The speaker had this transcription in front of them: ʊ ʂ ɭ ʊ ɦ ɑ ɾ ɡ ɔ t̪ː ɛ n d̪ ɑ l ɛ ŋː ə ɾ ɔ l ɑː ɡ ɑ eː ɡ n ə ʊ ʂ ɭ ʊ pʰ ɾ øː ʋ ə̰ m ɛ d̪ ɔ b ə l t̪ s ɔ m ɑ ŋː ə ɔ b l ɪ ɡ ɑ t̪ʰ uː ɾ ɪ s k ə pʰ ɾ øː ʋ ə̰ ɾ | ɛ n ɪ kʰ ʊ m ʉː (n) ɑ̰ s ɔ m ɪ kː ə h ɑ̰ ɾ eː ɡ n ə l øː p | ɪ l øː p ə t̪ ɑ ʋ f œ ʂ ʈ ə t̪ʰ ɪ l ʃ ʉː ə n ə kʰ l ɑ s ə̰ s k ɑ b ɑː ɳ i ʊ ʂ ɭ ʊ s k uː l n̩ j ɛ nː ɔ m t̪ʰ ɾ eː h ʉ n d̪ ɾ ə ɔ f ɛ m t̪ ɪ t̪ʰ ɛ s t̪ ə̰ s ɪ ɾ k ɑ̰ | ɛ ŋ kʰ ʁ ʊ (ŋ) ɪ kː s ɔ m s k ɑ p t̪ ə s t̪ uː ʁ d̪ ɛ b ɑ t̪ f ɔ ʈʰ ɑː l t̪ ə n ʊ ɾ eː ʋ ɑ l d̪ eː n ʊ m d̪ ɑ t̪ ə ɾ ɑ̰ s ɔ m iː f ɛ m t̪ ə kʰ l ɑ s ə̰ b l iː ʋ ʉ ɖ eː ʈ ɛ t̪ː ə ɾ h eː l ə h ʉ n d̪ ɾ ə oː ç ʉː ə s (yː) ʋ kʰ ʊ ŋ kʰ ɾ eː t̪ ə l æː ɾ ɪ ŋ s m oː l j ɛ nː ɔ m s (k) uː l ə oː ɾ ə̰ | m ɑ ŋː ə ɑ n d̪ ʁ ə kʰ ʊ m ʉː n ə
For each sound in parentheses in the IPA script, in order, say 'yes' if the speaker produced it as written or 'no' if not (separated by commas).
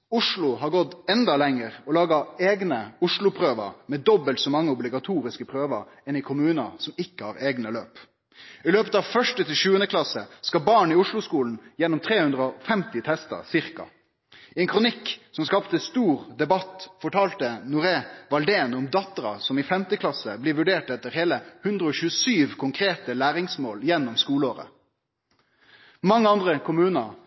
yes, no, yes, yes